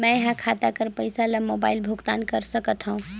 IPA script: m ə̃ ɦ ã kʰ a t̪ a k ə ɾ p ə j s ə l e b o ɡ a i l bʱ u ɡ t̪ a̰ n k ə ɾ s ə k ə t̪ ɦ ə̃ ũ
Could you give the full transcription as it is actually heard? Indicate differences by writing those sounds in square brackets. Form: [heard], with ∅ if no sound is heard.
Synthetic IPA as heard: m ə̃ ɦ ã kʰ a t̪ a k ə ɾ p ə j s [a] l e [m] o [b] a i l bʱ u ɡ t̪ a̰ n k ə ɾ s ə k ə t̪ ɦ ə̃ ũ